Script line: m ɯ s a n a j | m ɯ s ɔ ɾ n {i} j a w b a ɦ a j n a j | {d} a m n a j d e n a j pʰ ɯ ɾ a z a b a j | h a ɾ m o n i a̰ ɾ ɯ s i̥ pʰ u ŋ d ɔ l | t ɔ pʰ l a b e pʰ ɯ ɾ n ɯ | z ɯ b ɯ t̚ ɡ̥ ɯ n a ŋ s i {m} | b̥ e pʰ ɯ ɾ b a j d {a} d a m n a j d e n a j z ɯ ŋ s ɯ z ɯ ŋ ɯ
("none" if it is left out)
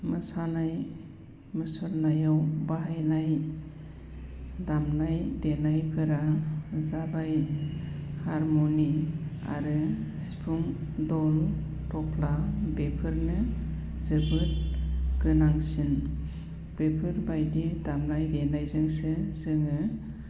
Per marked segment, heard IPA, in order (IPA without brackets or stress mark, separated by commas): a, d, n, i